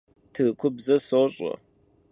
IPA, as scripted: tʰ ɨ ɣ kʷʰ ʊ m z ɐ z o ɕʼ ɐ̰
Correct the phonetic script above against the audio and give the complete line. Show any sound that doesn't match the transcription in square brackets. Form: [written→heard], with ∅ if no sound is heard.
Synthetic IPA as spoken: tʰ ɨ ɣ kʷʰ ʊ [m→b] z ɐ [z→s] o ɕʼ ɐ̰